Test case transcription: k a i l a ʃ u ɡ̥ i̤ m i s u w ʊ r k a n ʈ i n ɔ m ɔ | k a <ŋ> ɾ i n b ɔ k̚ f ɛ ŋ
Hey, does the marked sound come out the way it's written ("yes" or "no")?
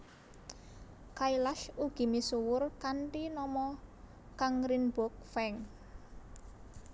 yes